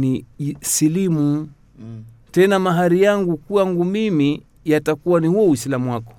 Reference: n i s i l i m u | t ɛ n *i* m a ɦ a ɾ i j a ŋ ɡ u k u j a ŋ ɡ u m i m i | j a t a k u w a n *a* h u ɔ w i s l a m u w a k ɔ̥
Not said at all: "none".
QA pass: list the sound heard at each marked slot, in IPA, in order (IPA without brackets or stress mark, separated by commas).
a, i